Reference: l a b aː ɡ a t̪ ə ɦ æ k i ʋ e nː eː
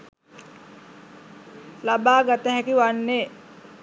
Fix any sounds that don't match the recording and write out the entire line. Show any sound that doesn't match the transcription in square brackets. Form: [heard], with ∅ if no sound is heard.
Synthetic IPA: l a b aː ɡ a t̪ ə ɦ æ k i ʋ [a] nː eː